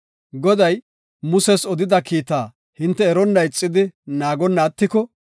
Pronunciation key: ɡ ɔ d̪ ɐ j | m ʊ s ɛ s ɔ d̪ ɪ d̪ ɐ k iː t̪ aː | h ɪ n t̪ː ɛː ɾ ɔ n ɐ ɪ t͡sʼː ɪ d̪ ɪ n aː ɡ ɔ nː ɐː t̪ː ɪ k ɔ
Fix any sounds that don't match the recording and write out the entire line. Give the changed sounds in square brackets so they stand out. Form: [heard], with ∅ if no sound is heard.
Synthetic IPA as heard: ɡ ɔ d̪ ɐ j | m ʊ s ɛ s ɔ d̪ ɪ d̪ ɐ k iː t̪ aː | h ɪ n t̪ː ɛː ɾ ɔ [nː] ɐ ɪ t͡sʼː ɪ d̪ ɪ n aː ɡ ɔ nː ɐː t̪ː ɪ k ɔ